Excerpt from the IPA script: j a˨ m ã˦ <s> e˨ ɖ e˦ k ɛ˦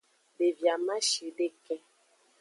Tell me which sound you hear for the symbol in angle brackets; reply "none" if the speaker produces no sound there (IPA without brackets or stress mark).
ʃ